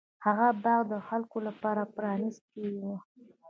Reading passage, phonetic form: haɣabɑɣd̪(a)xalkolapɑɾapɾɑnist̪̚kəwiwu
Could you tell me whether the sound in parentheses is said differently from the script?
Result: yes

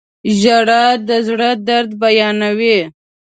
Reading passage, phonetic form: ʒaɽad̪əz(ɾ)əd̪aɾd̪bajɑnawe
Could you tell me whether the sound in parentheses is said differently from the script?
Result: yes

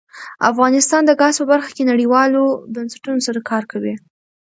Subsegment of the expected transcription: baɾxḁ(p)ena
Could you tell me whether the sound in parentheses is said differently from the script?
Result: yes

